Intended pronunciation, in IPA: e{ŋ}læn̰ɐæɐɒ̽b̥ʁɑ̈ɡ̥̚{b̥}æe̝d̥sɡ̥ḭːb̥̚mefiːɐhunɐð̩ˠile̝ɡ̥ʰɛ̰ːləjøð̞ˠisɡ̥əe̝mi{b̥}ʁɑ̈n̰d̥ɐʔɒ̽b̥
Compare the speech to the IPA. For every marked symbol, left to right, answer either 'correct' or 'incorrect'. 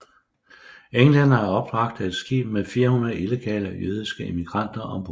correct, incorrect, incorrect

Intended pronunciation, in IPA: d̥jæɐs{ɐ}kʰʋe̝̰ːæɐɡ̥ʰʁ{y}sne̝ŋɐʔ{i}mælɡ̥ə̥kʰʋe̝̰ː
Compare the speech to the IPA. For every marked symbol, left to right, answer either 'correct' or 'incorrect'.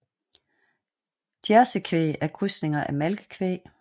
incorrect, correct, incorrect

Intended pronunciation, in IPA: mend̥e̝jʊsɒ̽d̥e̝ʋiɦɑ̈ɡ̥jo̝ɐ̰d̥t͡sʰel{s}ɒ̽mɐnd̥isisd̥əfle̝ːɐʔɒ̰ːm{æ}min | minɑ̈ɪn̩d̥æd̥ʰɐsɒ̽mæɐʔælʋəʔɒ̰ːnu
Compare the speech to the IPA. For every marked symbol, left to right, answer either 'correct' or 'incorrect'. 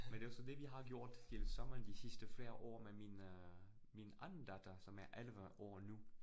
correct, incorrect

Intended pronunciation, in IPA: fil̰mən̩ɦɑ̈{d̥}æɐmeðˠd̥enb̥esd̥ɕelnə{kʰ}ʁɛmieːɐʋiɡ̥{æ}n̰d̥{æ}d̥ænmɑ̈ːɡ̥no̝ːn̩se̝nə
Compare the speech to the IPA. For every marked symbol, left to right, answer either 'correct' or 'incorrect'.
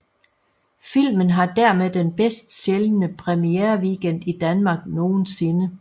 correct, incorrect, incorrect, incorrect

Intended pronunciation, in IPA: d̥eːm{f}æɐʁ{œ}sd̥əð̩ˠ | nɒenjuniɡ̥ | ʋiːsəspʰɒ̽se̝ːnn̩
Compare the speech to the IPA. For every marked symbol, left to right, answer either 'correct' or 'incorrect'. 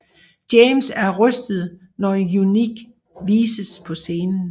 incorrect, correct

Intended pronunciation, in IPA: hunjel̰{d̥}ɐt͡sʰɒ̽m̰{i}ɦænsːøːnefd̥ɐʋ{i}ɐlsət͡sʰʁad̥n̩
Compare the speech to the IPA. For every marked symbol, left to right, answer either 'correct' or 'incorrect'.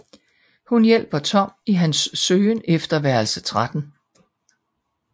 incorrect, correct, incorrect

